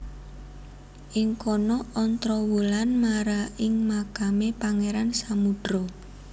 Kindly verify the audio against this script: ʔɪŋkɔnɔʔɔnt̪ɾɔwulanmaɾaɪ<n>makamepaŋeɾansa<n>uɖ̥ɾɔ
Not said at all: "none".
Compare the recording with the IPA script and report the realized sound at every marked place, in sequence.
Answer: ŋ, m

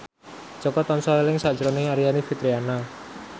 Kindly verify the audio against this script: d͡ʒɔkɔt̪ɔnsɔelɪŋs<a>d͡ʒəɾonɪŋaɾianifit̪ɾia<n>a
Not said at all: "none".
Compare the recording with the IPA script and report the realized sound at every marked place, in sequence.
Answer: a, n

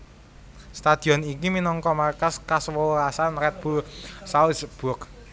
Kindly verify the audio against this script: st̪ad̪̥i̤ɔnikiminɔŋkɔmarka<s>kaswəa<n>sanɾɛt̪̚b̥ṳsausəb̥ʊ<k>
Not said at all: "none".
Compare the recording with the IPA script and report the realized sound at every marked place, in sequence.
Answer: s, none, k

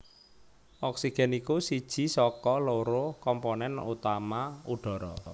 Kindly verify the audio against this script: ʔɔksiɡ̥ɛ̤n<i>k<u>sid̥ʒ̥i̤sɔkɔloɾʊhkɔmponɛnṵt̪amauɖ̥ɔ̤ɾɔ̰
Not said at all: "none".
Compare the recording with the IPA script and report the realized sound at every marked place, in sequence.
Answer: i, u

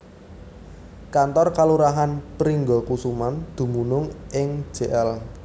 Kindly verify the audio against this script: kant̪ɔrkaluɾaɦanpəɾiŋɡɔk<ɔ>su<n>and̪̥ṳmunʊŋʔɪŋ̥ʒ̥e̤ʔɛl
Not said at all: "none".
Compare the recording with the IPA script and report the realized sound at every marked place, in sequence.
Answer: u, m

